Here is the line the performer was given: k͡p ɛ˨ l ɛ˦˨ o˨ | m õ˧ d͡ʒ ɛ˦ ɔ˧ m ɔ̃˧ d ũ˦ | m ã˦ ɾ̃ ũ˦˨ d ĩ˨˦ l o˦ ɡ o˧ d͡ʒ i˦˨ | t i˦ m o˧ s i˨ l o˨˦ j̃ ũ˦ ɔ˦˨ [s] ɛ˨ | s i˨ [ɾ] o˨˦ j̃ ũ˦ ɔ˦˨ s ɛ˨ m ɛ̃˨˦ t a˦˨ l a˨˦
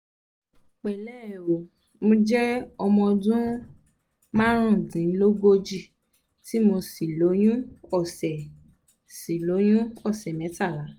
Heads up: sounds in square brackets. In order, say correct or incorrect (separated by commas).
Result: correct, incorrect